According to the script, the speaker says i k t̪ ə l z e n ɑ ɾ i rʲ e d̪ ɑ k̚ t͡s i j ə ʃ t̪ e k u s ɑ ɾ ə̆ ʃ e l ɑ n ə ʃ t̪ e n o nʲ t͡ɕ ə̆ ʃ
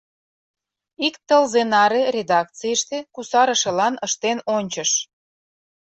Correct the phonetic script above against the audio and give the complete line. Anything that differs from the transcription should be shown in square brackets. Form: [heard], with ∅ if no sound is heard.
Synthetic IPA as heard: i k t̪ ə l z e n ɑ ɾ [e] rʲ e d̪ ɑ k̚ t͡s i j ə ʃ t̪ e k u s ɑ ɾ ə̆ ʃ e l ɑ n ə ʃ t̪ e n o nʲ t͡ɕ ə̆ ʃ